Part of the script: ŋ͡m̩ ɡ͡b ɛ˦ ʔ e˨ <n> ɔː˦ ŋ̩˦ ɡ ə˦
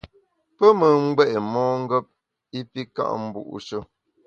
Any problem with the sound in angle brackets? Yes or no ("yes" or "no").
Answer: yes